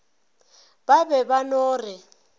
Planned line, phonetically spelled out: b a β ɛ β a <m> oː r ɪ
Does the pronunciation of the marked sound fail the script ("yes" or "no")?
yes